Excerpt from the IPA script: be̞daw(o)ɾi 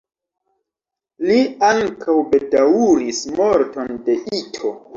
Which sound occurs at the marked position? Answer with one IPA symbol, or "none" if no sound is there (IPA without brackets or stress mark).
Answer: u